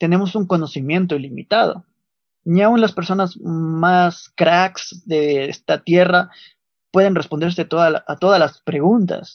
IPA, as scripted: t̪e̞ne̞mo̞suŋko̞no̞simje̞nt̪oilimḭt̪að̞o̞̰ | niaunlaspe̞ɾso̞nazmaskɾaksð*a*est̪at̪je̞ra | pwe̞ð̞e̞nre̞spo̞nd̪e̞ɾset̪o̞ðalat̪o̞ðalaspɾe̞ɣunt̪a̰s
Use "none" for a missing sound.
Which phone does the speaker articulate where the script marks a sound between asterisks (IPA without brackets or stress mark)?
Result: e